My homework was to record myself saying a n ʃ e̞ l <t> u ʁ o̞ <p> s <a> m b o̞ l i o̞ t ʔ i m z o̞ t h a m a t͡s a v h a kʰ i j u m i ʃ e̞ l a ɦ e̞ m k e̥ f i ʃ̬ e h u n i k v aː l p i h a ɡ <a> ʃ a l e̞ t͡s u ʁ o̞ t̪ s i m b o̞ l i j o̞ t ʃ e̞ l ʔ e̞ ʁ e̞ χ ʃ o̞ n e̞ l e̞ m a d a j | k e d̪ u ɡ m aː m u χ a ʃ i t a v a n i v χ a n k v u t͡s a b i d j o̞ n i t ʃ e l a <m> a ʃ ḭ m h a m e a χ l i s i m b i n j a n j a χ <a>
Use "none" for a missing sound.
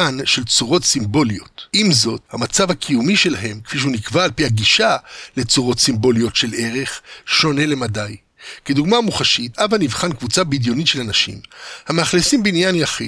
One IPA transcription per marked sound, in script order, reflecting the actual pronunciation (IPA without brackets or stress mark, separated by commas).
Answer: t͡s, t, i, i, n, i